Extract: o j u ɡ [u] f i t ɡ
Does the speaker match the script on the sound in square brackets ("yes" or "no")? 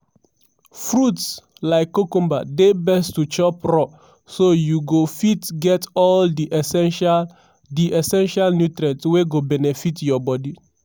no